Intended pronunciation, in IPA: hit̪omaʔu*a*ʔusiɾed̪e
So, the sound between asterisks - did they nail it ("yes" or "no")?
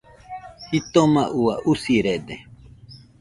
yes